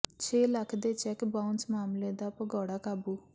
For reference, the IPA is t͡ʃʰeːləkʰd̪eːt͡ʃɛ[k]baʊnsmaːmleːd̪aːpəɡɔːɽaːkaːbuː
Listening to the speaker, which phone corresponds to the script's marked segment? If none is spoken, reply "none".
k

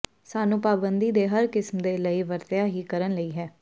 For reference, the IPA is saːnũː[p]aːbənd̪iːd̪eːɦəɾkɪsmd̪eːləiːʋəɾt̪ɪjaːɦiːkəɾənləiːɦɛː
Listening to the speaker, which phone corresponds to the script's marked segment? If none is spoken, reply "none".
p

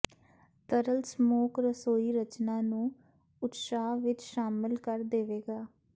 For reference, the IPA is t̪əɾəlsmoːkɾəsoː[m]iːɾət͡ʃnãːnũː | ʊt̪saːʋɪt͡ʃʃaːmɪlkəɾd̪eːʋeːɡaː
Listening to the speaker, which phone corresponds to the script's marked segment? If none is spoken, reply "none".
none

